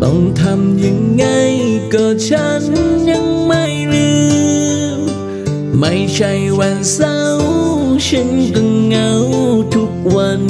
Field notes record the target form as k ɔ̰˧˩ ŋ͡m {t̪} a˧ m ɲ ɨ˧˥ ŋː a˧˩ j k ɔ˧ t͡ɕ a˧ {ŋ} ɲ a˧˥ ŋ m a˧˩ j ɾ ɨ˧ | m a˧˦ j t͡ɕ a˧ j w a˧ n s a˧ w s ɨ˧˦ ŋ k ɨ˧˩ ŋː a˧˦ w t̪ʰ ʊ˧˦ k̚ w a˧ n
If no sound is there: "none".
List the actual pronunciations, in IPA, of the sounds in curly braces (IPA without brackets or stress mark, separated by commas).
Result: t̪ʰ, n